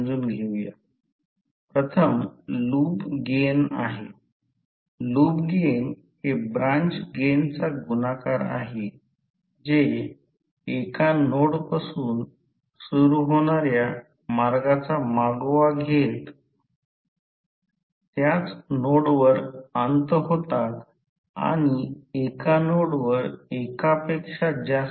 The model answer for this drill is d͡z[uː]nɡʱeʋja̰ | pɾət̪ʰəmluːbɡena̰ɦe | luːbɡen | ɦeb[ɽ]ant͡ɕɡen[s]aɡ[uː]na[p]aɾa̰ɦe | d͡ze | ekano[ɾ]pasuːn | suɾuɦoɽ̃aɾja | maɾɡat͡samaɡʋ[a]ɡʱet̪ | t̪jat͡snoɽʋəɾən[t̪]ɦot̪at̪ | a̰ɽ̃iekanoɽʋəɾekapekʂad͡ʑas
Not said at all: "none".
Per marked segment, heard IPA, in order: uː, ɾ, t͡s, u, k, ɽ, a, t̪

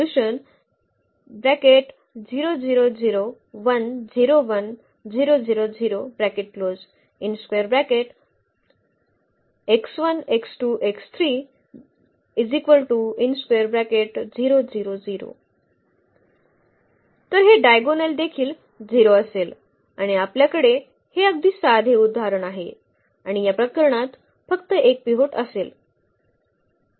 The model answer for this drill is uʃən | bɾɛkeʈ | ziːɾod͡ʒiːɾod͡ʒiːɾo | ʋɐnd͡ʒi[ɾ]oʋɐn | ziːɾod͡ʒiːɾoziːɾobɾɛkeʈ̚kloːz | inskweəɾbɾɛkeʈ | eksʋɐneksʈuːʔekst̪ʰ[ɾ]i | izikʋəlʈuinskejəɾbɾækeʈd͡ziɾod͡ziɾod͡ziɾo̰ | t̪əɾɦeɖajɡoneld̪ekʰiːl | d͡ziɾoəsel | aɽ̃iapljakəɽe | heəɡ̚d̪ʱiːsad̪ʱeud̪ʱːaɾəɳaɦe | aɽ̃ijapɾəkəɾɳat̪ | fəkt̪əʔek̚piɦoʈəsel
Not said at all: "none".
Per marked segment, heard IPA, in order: ɾ, ɾ

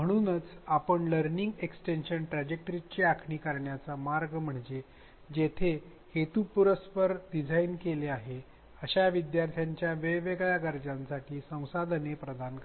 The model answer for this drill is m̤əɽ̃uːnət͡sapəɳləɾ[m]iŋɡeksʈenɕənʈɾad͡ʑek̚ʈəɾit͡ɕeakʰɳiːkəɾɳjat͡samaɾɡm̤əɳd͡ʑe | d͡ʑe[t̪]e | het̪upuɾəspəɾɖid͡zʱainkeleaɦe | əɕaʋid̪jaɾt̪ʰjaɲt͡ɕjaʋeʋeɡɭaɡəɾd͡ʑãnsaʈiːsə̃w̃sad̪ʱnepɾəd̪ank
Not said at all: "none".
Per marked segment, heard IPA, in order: n, t̪ʰ

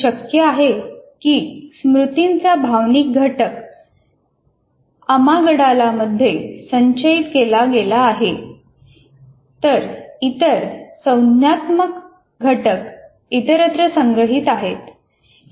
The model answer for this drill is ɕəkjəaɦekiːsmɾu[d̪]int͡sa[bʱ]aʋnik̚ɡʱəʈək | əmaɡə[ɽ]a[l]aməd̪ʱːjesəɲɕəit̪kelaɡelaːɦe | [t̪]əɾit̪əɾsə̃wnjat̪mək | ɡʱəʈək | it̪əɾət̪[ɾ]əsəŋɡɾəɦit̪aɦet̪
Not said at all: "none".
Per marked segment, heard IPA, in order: t̪, bʱ, ɽ, l, t̪, ɾ

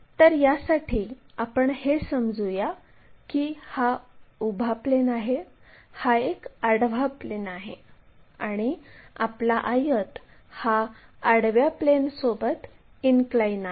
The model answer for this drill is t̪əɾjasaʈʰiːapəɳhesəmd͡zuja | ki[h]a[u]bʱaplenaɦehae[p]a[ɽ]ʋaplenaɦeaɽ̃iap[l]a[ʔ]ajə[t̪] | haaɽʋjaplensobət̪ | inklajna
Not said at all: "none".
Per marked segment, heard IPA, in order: h, u, k, ɽ, l, ʔ, t̪

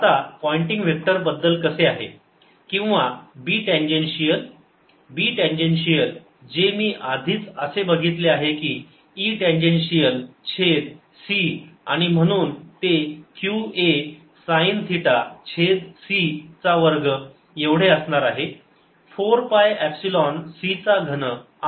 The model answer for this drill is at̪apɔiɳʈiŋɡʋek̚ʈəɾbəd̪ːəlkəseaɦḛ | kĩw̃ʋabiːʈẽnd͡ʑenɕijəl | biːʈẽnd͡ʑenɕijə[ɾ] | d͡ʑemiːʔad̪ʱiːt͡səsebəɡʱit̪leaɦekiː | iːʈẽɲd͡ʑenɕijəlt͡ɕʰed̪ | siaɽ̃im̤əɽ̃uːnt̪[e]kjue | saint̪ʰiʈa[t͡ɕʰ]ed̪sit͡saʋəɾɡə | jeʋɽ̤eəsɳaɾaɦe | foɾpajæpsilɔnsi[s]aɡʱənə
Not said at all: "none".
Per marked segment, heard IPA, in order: l, e, t͡ɕʰ, t͡s

